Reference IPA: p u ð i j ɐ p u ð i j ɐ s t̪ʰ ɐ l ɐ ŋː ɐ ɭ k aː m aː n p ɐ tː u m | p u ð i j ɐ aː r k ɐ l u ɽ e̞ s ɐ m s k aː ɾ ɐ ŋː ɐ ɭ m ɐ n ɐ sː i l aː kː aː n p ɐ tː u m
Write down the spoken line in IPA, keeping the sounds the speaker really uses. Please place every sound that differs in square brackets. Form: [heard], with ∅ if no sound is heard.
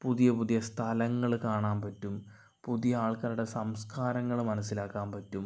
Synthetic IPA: p u ð i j ɐ p u ð i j ɐ s t̪ʰ ɐ l ɐ ŋː ɐ ɭ k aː [ɳ] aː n p ɐ tː u m | p u ð i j ɐ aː [ɭ] k ɐ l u ɽ e̞ s ɐ m s k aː ɾ ɐ ŋː ɐ ɭ m ɐ n ɐ sː i l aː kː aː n p ɐ tː u m